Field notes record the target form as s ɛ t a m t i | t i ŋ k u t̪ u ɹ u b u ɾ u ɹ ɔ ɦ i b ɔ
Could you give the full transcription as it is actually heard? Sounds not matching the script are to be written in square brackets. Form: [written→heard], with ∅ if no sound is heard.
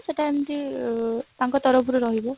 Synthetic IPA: s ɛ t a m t i | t [i→a] ŋ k [u→ɔ] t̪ [u→ɔ] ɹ [u→ɔ] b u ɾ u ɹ ɔ ɦ i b ɔ